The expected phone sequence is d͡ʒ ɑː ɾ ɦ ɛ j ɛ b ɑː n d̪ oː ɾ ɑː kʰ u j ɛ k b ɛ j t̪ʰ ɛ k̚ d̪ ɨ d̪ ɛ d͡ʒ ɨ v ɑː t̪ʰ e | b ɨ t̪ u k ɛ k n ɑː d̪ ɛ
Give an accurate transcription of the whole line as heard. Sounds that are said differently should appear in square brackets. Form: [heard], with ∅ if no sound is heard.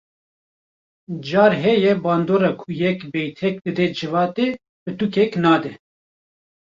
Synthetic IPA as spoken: d͡ʒ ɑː ɾ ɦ ɛ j ɛ b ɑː n d̪ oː ɾ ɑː kʰ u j ɛ k b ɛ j t̪ʰ ɛ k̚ d̪ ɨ d̪ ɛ d͡ʒ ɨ v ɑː [t̪] e | b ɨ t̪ u k ɛ k n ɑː d̪ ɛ